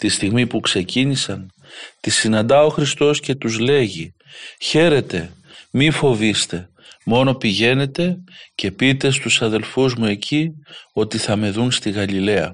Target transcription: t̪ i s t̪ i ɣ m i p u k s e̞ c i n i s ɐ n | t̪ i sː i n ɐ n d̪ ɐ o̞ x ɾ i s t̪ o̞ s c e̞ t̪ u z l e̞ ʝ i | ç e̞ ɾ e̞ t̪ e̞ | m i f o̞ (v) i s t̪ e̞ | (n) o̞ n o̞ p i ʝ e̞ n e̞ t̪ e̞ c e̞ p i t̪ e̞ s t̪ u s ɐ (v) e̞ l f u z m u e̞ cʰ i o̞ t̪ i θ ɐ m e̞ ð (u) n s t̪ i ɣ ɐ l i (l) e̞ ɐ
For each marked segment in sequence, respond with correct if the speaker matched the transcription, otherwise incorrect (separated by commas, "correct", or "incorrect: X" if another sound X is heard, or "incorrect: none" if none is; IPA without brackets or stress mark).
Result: correct, incorrect: m, incorrect: ð, correct, correct